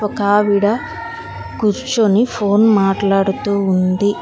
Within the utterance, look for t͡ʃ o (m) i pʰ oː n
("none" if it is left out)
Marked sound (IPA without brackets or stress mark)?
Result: n